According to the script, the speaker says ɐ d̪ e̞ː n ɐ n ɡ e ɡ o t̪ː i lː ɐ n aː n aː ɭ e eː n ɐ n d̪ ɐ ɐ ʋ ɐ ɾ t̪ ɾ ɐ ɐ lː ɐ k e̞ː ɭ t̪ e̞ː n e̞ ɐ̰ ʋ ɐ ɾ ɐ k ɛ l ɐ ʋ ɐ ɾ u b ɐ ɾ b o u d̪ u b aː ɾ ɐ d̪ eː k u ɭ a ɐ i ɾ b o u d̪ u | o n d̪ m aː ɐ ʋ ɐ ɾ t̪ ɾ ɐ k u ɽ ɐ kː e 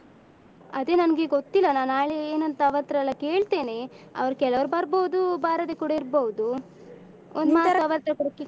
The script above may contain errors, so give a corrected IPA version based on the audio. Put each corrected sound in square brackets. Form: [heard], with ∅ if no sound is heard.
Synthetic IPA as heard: ɐ d̪ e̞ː n ɐ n ɡ e ɡ o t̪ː i lː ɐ n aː n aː ɭ e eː n ɐ n [t̪] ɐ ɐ ʋ ɐ ɾ t̪ ɾ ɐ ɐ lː ɐ k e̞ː ɭ t̪ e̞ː n e̞ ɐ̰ ʋ ɐ ɾ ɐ k ɛ l ɐ ʋ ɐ ɾ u b ɐ ɾ b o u d̪ u b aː ɾ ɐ d̪ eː k u [ɽ] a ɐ i ɾ b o u d̪ u | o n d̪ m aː ɐ ʋ ɐ ɾ t̪ ɾ ɐ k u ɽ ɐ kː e